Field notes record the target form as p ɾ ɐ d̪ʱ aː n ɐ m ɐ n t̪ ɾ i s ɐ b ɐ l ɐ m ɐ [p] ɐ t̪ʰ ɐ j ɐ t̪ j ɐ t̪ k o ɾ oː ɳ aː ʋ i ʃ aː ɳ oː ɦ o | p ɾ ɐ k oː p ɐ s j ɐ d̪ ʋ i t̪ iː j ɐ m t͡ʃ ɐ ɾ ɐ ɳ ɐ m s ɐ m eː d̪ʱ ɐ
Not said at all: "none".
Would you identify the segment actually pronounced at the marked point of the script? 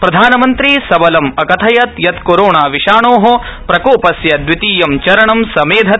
k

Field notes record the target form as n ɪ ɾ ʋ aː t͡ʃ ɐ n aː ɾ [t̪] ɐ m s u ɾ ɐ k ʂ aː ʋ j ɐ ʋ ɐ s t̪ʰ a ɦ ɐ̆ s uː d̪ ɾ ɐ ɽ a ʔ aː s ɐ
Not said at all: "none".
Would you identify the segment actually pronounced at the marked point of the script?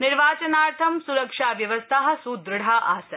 t̪ʰ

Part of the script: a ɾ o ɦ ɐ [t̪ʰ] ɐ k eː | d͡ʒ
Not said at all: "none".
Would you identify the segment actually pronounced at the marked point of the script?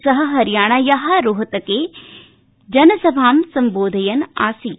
t̪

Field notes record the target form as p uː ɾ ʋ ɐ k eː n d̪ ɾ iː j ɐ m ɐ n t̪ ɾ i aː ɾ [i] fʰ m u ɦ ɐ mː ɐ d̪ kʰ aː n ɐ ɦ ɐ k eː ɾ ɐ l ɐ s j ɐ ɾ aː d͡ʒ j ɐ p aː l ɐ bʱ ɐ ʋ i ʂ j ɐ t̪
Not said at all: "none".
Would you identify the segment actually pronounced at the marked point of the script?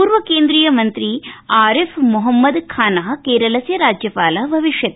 e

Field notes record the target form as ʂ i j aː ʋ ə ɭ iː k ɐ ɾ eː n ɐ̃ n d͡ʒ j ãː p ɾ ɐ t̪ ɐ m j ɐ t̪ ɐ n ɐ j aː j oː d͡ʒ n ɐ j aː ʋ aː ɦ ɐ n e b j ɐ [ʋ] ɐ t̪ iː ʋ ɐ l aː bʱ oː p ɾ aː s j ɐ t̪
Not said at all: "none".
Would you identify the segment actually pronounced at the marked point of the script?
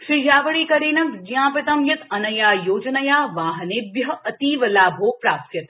none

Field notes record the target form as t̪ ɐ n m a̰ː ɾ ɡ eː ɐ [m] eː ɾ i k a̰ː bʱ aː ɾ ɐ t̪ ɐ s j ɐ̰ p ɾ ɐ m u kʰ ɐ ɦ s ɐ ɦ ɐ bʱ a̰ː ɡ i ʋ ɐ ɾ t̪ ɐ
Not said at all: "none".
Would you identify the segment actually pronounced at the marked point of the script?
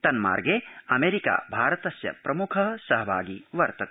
m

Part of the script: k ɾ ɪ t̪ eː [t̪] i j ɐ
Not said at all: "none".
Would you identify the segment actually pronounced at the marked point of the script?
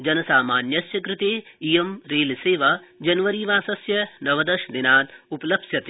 none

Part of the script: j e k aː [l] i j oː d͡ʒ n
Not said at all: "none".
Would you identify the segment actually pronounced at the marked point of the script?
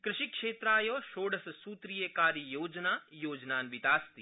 ɾ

